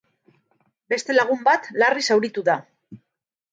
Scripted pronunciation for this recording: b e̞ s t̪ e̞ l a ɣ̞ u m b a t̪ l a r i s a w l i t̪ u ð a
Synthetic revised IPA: b e̞ s t̪ e̞ l a ɣ̞ u m b a t̪ l a r i s a w ɾ i t̪ u ð a